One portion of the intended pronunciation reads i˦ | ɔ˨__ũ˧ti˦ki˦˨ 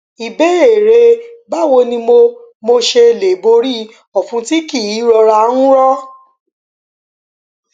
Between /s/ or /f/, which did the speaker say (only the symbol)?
f